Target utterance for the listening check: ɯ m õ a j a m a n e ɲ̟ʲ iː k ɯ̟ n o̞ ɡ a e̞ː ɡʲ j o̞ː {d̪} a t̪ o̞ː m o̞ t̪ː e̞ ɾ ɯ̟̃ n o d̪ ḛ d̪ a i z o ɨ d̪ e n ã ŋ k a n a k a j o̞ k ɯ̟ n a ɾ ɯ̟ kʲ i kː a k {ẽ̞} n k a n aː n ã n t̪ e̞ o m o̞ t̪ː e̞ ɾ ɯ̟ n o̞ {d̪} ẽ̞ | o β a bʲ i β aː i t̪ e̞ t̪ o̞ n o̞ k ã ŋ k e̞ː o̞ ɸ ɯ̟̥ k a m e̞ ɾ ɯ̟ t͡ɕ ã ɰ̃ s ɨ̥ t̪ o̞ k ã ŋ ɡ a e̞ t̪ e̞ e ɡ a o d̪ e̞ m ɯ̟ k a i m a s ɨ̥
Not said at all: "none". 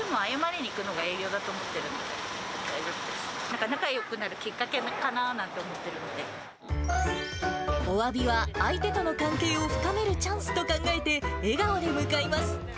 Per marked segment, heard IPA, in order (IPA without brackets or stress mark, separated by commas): d̪, e̞, d̪